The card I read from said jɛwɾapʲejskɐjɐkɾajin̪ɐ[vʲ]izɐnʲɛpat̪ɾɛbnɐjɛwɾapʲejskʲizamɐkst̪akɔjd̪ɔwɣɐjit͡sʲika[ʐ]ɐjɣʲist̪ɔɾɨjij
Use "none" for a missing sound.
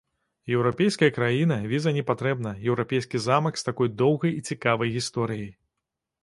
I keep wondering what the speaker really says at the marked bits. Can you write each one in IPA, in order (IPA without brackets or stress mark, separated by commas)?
vʲ, v